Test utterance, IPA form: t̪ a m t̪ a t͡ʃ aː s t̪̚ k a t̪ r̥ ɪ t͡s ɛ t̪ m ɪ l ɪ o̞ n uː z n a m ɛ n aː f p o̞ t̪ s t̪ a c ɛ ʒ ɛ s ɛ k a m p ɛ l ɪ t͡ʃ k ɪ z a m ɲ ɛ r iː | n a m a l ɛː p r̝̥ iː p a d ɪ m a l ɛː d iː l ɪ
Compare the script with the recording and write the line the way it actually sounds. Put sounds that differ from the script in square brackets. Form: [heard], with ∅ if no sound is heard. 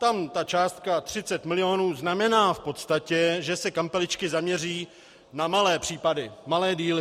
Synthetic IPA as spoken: t̪ a m t̪ a t͡ʃ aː s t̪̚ k a t̪ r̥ ɪ t͡s ɛ t̪ m ɪ l ɪ o̞ n uː z n a m ɛ n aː f p o̞ t̪ s t̪ a c ɛ ʒ ɛ s ɛ k a m p ɛ l ɪ t͡ʃ k ɪ z a m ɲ ɛ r iː | n a m a l ɛː p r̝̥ iː p a d ɪ m a l ɛː d iː l ɪ